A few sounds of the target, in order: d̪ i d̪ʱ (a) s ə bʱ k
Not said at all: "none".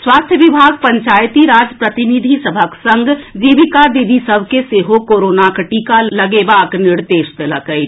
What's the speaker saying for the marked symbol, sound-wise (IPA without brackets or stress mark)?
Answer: i